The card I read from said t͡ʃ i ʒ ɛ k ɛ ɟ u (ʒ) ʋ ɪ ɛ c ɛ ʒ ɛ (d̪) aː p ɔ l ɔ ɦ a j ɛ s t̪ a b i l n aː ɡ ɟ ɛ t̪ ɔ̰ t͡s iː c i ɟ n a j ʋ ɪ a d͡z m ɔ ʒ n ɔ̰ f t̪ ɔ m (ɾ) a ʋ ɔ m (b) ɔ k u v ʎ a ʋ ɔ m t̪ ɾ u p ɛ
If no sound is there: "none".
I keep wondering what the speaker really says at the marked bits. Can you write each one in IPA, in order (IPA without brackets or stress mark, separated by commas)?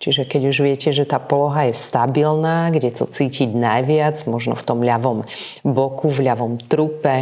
ʒ, t̪, ʎ, b